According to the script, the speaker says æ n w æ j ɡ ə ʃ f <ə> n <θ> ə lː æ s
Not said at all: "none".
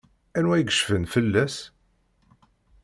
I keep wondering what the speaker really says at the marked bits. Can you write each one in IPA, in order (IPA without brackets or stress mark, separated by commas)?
ə, f